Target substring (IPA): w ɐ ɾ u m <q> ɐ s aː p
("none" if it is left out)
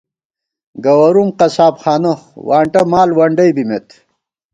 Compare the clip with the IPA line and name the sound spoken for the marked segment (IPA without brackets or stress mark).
q